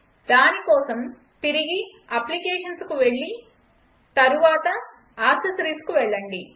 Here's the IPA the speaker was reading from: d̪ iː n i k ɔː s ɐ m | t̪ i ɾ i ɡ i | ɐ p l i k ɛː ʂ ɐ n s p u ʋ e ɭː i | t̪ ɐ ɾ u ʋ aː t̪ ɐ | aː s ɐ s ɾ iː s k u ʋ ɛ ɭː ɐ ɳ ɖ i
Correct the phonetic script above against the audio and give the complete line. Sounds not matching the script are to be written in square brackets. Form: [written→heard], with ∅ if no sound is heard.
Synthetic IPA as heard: d̪ [iː→aː] n i k ɔː s ɐ m | t̪ i ɾ i ɡ i | ɐ p l i k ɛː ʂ ɐ n s [p→k] u ʋ e ɭː i | t̪ ɐ ɾ u ʋ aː t̪ ɐ | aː s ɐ s ɾ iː s k u ʋ ɛ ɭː ɐ ɳ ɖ i